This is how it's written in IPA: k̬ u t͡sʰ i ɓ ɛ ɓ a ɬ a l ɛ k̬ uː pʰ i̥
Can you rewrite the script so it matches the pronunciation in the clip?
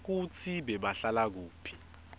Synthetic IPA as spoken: k̬ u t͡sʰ i ɓ ɛ ɓ a ɬ a l a k̬ uː pʰ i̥

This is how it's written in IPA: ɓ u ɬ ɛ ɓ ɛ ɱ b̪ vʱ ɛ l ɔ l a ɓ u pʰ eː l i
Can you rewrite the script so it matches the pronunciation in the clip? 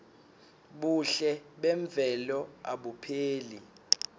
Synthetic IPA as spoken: ɓ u ɬ ɛ ɓ ɛ ɱ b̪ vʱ ɛ l ɔ a ɓ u pʰ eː l i

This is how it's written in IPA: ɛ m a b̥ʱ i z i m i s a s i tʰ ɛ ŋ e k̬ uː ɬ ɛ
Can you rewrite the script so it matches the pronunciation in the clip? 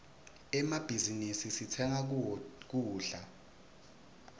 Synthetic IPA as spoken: ɛ m a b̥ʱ i z i n i s i s i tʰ ɛ ŋ a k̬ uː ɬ a

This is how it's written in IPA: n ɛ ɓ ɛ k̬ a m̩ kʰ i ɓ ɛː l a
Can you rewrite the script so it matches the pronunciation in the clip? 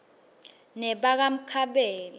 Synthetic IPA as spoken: n ɛ ɓ a k̬ a m̩ kʰ a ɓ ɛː l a

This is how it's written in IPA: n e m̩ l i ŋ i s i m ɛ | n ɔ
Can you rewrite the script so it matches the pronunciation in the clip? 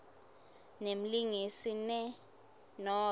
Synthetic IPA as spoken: n e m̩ l i ŋ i s i n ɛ | n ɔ

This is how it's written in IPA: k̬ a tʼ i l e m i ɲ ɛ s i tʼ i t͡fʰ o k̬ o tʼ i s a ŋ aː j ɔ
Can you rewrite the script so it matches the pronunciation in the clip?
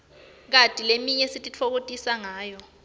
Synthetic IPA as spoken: k̬ a tʼ i l e m i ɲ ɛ s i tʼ i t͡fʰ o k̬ o tʼ i s a ŋ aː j ɔ

